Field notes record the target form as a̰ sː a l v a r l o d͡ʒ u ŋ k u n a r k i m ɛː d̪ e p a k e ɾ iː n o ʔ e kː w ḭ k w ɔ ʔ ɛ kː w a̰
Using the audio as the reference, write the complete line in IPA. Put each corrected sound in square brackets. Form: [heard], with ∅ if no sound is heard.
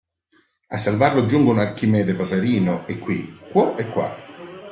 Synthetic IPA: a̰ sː a l v a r l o d͡ʒ u ŋ [ɡ] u n a r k i m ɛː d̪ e p a [p] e ɾ iː n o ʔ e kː w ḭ k w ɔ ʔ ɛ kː w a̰